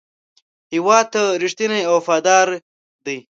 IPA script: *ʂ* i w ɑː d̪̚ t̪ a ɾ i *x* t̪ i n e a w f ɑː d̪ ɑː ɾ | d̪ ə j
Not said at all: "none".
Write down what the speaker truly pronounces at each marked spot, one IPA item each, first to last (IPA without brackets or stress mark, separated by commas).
h, ʂ